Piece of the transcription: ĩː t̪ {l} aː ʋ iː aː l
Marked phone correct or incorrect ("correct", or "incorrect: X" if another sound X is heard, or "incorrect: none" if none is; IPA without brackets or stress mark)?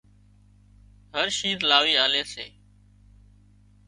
correct